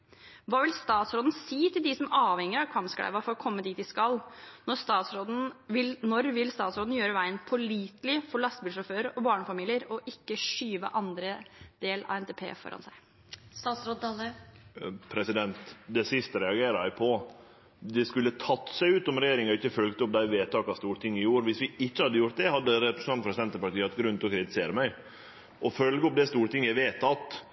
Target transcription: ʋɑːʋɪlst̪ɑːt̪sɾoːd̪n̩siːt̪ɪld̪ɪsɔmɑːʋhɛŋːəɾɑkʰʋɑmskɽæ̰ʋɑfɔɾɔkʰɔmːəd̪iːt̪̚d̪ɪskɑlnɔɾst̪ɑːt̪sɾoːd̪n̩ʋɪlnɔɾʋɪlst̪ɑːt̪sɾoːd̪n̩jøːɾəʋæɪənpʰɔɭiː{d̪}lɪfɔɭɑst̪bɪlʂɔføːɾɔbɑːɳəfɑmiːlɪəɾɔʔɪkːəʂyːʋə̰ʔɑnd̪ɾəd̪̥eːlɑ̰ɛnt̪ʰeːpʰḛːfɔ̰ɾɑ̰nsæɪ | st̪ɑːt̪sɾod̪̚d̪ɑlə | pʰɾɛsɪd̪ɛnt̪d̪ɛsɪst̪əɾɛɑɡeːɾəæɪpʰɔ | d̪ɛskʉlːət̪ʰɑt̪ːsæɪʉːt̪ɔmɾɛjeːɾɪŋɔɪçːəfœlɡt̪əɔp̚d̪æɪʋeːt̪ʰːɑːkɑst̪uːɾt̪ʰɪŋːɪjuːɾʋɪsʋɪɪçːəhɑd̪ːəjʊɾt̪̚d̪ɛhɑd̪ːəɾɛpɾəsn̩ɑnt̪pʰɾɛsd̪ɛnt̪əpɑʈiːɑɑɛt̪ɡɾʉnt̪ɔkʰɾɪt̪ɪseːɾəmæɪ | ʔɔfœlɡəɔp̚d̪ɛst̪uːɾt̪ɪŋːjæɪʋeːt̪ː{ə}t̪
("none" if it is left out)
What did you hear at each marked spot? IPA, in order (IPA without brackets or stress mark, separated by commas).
t̪, ɑ